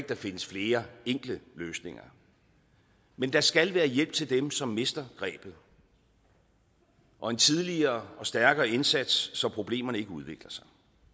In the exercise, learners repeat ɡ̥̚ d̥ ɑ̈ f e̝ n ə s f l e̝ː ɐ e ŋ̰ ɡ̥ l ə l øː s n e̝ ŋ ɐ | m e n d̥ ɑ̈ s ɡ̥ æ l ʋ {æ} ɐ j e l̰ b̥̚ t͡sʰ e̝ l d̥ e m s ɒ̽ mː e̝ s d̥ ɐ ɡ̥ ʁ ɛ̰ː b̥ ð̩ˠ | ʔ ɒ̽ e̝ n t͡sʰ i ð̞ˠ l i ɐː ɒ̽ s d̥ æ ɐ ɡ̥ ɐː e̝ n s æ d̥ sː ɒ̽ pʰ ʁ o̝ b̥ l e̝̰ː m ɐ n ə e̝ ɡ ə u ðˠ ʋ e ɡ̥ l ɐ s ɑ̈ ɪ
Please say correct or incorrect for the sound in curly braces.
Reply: incorrect